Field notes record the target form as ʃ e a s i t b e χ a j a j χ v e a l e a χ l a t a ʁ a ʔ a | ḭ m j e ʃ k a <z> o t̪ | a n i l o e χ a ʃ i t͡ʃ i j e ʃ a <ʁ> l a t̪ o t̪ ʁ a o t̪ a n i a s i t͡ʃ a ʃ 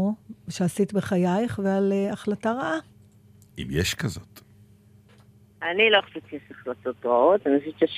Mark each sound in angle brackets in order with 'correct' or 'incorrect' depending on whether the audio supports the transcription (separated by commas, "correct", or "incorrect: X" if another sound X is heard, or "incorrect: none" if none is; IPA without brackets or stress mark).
correct, incorrect: χ